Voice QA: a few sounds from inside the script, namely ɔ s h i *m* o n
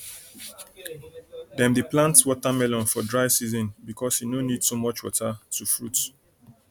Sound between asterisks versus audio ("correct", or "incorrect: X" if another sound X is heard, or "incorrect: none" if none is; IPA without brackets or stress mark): incorrect: n